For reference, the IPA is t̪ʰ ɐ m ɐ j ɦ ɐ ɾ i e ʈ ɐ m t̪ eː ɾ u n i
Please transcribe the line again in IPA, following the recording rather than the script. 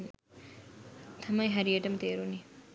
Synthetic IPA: t̪ʰ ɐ m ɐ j ɦ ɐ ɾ i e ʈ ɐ m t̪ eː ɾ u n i